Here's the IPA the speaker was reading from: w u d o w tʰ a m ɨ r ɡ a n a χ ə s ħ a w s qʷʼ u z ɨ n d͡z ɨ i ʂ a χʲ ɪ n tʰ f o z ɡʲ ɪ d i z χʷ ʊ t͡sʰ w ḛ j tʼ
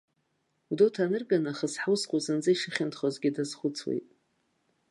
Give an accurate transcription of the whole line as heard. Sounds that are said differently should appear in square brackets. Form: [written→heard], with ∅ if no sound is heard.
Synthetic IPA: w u d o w tʰ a [m→n] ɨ r ɡ a n a χ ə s ħ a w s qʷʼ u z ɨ n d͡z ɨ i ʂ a χʲ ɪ n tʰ [f→χ] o z ɡʲ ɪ d [i→a] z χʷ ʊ t͡sʰ w ḛ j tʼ